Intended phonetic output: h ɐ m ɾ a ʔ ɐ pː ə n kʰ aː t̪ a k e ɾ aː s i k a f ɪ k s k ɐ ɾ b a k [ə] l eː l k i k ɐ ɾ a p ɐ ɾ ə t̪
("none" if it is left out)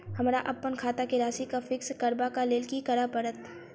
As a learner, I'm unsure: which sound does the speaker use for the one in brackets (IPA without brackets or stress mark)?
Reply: a